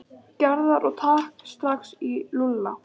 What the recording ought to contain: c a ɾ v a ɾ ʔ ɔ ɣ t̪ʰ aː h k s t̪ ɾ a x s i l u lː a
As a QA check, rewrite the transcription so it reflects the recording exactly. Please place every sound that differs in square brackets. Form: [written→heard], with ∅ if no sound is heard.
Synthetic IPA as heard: c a ɾ [v→ð] a ɾ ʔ ɔ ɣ t̪ʰ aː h k s t̪ ɾ a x s i l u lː a